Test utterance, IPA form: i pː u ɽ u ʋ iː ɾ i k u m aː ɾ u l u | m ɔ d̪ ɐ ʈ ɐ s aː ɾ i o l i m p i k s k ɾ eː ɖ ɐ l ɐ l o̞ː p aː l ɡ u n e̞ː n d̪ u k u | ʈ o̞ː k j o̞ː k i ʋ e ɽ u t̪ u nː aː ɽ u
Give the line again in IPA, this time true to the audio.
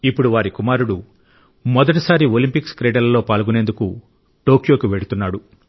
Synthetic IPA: i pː u ɽ u ʋ aː ɾ i k u m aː ɾ u ɽ u | m ɔ d̪ ɐ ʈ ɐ s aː ɾ i o l i m p i k s k ɾ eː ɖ ɐ l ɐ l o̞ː p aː l ɡ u n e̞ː n d̪ u k u | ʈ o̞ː k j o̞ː k i ʋ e ɽ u t̪ u nː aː ɽ u